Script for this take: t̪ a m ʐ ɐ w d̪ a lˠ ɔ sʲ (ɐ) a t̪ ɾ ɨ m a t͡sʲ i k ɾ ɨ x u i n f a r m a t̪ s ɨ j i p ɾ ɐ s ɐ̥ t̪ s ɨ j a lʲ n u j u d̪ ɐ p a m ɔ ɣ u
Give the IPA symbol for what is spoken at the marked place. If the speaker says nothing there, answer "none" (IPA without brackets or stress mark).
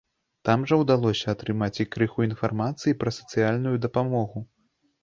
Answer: ɐ